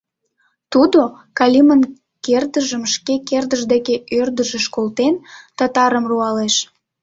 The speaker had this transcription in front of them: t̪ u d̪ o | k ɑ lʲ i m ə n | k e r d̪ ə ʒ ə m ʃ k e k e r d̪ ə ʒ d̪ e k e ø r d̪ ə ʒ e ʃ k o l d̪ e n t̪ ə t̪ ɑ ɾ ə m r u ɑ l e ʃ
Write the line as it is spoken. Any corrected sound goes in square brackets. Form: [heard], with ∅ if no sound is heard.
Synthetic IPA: t̪ u d̪ o | k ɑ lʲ i m ə n | k e r d̪ ə ʒ ə m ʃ k e k e r d̪ ə ʒ d̪ e k e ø r d̪ ə ʒ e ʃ k o l [t̪] e n t̪ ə t̪ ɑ ɾ ə m r u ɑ l e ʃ